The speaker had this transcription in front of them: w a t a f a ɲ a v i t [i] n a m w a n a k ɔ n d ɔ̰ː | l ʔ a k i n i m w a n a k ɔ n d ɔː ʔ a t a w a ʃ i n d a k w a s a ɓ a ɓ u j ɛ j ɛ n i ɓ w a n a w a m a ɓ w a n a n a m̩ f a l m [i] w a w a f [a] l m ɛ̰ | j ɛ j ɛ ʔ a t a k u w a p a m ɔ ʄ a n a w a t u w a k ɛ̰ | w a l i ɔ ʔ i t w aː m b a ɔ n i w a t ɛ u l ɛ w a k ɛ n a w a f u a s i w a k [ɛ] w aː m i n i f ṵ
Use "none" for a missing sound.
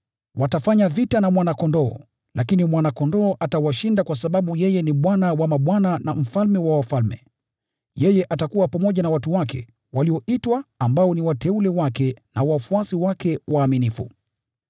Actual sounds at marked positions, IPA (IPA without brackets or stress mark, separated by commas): a, ɛ, a, ɛ